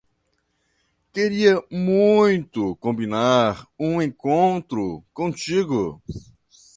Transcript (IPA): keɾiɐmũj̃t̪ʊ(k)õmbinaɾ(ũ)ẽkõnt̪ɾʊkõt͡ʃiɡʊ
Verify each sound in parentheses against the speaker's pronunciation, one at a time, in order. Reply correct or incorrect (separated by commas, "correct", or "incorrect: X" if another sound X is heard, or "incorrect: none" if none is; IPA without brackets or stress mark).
correct, correct